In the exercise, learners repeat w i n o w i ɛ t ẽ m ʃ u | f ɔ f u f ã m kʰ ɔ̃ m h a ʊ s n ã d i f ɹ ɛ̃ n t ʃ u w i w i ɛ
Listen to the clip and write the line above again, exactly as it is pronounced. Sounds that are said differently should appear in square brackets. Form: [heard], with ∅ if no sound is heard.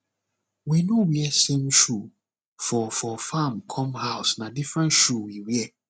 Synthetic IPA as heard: w i n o w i ɛ [s] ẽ m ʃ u | f ɔ f [ɔ] f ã m kʰ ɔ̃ m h a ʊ s n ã d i f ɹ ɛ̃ n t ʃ u w i w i ɛ